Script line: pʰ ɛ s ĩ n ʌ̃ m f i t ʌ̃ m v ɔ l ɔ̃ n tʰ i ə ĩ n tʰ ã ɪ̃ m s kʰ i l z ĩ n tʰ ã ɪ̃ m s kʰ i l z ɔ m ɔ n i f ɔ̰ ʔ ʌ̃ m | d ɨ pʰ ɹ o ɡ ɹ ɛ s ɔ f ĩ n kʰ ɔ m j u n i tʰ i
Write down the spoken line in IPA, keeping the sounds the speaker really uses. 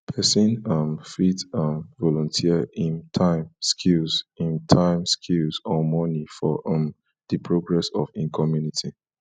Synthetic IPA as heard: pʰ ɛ s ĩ n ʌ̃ m f i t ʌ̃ m v ɔ l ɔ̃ n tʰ i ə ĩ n tʰ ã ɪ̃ m s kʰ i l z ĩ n tʰ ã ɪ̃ m s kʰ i l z ɔ m ɔ n i f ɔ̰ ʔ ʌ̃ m | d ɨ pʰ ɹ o ɡ ɹ ɛ s ɔ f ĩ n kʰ ɔ m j u n i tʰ i